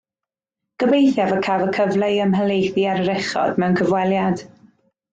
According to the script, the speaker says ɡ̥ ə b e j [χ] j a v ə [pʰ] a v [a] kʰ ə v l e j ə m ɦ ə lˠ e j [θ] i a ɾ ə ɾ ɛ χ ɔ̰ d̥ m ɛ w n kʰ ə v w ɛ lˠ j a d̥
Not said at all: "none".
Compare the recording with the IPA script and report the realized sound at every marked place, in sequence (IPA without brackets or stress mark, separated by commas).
θ, kʰ, ə, θ